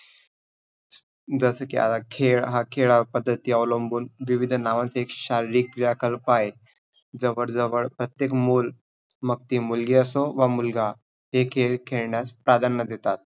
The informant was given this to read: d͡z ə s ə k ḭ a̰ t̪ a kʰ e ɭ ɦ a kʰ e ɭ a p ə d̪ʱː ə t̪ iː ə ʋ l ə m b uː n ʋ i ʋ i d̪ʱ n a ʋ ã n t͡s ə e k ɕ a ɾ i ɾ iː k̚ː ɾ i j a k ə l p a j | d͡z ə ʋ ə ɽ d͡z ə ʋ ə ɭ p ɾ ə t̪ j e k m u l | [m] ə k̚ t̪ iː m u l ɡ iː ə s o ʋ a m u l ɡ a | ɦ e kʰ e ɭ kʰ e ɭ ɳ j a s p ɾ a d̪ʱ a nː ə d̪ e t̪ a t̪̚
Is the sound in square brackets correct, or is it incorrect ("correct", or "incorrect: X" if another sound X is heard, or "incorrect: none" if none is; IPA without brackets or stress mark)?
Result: correct